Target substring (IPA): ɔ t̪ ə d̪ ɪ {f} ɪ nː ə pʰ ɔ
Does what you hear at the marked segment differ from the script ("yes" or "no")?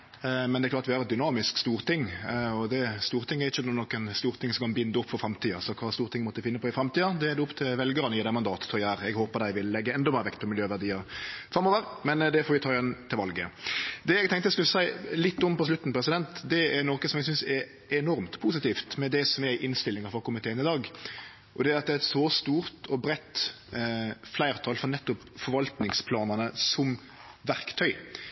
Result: no